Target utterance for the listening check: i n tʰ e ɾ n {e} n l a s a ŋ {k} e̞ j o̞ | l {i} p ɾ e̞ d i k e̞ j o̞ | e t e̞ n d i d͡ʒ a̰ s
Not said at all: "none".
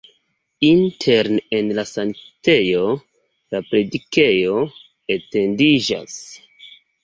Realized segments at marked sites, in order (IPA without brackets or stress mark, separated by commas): e, t, a